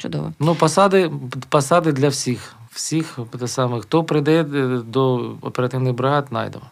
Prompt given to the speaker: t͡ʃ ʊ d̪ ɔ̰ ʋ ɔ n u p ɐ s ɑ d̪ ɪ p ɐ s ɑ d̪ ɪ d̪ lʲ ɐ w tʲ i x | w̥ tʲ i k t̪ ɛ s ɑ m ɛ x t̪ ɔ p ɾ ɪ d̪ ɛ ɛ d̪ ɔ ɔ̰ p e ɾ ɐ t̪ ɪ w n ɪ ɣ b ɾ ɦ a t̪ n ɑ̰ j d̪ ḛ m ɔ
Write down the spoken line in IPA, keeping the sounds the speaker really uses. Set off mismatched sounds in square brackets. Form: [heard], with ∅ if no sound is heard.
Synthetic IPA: t͡ʃ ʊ d̪ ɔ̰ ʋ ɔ n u p ɐ s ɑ d̪ ɪ p ɐ s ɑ d̪ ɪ d̪ lʲ ɐ w [sʲ] i x | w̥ [sʲ] i [x] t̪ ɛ s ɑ m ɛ x t̪ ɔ p ɾ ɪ d̪ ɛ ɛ d̪ ɔ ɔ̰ p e ɾ ɐ t̪ ɪ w n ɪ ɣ b ɾ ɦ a t̪ n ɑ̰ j d̪ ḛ m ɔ